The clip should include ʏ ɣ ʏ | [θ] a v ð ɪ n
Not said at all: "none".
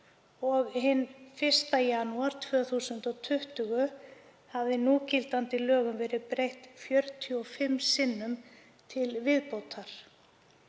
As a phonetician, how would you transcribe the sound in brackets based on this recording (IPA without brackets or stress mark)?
h